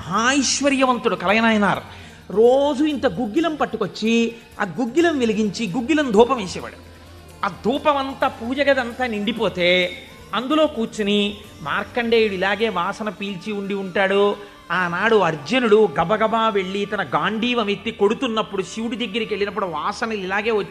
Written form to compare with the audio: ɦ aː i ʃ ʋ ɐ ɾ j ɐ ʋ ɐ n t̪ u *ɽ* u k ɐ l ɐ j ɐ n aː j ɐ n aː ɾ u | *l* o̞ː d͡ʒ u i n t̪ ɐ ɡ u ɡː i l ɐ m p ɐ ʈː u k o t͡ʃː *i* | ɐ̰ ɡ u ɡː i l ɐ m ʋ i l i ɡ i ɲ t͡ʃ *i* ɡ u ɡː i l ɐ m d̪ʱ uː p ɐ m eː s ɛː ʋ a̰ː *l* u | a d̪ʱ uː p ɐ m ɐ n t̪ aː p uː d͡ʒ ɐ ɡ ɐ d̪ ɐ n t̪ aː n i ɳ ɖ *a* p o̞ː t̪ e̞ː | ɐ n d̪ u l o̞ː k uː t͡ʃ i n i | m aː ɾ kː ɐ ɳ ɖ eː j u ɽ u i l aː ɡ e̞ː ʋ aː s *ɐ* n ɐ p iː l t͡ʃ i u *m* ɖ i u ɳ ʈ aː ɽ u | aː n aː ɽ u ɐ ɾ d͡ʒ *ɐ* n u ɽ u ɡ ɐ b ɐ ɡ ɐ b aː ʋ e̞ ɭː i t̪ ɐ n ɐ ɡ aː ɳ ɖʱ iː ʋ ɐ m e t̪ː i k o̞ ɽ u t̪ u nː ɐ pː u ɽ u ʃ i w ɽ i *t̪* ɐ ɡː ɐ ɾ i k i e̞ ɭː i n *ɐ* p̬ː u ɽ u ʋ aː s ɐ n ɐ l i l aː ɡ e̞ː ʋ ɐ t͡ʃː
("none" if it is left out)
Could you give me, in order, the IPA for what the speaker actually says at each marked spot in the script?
ɽ, ɾ, i, i, ɽ, i, ɐ, ɳ, ɐ, d̪, ɐ

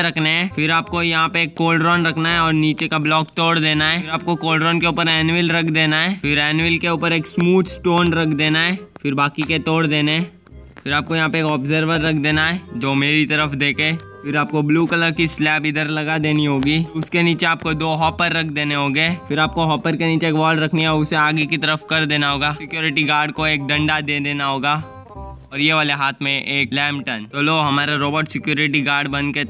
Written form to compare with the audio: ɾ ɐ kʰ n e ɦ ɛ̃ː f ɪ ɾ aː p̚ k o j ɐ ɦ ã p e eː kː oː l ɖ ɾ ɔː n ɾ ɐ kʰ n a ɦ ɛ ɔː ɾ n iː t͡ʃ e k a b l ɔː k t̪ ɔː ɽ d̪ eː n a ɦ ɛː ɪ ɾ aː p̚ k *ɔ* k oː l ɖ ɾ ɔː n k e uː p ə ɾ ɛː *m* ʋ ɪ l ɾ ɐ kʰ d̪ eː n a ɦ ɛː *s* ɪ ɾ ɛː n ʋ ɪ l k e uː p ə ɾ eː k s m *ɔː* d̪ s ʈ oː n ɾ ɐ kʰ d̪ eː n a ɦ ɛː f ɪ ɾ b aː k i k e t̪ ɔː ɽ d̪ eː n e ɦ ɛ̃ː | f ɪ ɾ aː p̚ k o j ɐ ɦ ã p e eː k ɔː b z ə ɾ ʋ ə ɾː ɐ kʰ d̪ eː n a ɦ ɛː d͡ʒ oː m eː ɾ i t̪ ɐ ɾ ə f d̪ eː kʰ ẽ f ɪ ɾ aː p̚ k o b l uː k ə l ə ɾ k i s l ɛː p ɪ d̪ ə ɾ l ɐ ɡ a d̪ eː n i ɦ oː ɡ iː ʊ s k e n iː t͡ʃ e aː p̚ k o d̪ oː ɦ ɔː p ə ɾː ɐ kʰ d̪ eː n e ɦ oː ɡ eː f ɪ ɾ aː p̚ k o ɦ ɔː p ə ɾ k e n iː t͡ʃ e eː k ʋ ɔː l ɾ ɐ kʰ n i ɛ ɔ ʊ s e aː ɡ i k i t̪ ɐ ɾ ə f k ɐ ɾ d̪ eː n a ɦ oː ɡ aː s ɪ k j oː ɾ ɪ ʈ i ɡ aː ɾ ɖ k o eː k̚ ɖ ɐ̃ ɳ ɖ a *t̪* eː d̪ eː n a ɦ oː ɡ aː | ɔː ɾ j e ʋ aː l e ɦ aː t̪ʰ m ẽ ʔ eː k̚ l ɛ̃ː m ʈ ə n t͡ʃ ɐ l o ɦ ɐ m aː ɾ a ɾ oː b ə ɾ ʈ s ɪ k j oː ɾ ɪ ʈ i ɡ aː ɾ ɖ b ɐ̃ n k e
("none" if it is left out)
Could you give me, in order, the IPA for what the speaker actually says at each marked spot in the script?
o, n, f, uː, d̪

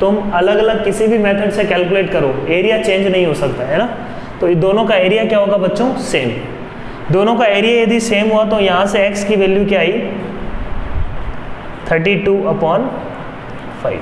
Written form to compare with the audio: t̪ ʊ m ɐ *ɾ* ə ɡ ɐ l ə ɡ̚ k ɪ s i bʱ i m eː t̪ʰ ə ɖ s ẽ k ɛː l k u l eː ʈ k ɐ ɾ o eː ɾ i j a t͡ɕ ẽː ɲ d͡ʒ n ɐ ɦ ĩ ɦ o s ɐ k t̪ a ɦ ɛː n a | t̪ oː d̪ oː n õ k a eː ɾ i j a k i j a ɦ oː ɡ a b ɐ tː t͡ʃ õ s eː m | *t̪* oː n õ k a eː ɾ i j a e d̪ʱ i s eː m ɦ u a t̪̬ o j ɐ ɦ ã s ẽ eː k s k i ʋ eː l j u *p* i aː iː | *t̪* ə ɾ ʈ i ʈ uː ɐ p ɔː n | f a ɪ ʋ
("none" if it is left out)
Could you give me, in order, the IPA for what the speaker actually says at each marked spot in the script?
l, d̪, k, t̪ʰ

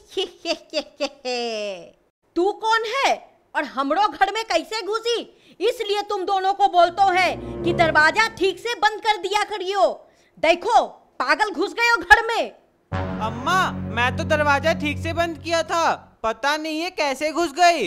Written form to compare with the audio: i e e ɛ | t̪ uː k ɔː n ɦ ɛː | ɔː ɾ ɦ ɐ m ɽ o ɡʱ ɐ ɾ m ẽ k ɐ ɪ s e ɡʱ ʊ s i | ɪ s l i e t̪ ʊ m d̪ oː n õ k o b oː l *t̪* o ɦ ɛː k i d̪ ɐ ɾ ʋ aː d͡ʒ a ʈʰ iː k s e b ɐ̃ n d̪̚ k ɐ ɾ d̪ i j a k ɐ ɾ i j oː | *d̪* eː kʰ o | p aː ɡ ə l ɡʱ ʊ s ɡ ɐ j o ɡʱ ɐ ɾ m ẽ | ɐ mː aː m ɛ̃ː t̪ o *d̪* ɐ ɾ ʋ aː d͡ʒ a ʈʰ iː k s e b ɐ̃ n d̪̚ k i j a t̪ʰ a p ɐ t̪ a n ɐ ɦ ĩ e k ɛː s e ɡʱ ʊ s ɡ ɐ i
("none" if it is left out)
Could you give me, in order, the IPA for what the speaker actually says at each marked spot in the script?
t̪, d̪, d̪

